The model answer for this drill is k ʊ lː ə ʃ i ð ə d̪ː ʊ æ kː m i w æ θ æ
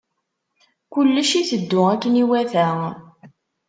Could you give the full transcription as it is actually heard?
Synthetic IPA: k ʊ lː ə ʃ i θ ə d̪ː ʊ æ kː n i w æ θ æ